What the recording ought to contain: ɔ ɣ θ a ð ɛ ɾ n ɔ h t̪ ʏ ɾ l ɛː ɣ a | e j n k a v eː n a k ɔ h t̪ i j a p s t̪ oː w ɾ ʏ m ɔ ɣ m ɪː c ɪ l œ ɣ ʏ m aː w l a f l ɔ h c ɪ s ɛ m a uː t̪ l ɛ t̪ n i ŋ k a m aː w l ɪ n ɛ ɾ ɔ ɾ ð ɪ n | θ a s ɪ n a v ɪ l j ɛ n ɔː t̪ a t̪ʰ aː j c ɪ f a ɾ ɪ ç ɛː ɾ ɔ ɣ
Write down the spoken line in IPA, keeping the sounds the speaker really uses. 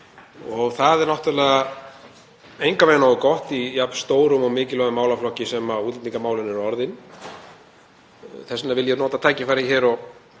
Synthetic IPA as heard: ɔ ɣ θ a ð ɛ ɾ n ɔ h t̪ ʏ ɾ l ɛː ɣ a | e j ŋ k a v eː n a k ɔ h t̪ i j a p s t̪ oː w ɾ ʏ m ɔ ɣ m ɪː c ɪ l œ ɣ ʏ m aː w l a f l ɔ h c ɪ s ɛ m a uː t̪ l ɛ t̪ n i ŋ k a m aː w l ɪ n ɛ ɾ ɔ ɾ ð ɪ n | θ ɛ s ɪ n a v ɪ l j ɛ n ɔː t̪ a t̪ʰ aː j c ɪ f a ɾ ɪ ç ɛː ɾ ɔ ɣ